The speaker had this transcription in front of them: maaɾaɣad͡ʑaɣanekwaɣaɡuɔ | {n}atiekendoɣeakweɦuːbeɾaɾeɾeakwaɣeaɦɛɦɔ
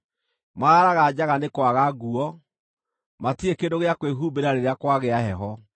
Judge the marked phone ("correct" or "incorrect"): incorrect